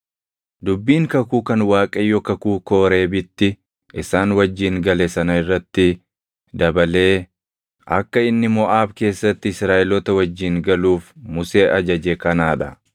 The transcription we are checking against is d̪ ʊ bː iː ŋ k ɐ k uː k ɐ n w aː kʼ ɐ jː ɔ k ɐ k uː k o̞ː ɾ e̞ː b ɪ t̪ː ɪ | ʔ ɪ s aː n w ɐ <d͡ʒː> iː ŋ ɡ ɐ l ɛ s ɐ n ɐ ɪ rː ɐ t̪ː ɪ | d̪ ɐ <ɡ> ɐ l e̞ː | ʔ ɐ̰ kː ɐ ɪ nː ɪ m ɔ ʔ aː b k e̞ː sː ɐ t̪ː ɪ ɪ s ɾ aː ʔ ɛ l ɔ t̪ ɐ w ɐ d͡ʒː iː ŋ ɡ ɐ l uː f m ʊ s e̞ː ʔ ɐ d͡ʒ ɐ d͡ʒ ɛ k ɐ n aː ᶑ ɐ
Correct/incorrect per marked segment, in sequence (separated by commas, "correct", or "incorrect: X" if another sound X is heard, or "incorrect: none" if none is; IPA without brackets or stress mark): correct, incorrect: b